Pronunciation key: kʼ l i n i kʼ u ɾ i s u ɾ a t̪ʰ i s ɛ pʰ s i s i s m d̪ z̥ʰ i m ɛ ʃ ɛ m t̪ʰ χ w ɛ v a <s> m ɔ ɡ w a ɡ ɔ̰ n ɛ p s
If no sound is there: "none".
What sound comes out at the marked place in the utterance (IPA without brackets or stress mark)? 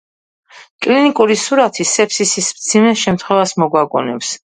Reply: s